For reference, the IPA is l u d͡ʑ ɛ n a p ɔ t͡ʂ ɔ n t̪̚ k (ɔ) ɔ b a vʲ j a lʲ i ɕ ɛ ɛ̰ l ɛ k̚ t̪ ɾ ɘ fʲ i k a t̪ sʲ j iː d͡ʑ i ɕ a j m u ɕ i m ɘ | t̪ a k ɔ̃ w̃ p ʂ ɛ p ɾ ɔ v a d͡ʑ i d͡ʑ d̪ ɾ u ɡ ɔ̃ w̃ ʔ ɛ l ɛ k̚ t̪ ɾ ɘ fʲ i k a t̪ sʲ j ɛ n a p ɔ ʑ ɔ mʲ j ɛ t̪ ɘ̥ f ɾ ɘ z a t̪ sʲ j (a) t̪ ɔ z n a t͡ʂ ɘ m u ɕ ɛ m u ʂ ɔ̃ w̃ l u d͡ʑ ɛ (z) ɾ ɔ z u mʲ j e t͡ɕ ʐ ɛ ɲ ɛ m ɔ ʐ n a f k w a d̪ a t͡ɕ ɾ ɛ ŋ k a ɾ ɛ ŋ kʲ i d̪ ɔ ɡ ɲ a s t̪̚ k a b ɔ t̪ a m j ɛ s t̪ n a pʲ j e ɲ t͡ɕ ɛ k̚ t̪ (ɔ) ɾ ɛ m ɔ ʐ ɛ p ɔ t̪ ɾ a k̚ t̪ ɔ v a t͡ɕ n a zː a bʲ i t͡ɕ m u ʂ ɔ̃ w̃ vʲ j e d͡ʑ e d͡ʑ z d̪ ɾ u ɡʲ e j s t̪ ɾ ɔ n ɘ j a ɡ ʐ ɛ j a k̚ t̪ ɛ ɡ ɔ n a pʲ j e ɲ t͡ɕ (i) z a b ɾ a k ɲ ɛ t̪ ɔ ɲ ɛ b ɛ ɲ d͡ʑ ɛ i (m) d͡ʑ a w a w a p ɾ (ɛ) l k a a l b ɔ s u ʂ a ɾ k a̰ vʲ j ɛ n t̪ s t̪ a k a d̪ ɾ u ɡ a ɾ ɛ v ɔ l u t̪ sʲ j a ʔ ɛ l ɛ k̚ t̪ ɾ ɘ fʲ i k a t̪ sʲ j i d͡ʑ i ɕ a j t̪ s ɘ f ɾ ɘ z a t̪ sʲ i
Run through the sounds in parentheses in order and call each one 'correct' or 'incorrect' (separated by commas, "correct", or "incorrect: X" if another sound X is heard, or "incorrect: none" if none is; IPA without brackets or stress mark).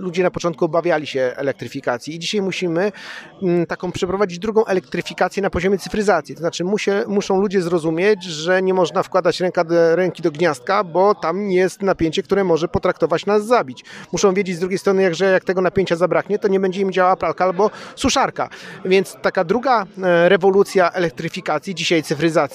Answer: incorrect: u, incorrect: i, correct, incorrect: u, incorrect: a, correct, incorrect: a